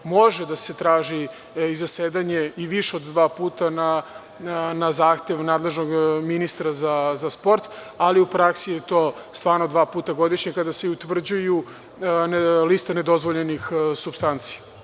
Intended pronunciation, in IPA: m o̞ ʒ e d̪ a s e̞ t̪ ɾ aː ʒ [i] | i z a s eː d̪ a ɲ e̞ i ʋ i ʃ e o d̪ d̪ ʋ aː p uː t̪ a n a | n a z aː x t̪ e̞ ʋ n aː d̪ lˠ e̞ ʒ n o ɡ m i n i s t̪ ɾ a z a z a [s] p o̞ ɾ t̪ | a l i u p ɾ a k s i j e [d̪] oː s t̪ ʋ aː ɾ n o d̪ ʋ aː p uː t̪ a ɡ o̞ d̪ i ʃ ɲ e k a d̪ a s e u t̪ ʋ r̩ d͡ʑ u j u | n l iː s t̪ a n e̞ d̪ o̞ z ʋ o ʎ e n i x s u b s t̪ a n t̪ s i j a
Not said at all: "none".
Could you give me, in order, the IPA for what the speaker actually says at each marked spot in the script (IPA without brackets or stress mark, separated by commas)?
i, s, t̪